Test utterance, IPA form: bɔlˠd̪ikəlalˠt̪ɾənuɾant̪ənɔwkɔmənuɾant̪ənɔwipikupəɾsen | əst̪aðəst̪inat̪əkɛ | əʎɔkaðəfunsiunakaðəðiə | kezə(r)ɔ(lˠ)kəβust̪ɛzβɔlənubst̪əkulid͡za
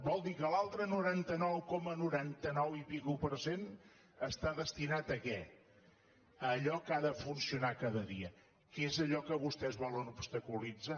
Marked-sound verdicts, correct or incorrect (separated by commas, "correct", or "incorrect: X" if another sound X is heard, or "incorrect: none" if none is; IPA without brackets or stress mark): incorrect: ʎ, incorrect: none